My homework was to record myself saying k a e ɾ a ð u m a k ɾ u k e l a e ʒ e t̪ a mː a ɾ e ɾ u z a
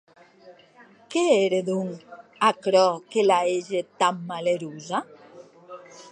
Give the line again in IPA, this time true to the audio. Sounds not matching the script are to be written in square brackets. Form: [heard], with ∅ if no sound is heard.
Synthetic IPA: k [e] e ɾ [e] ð u [ŋ] a k ɾ [ɔ] k e l a e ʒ e t̪ a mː a [l] e ɾ u z a